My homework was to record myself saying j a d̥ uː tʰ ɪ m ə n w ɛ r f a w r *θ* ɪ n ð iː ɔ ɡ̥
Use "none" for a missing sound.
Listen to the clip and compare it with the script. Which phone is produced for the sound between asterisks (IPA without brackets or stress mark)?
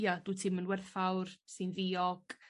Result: s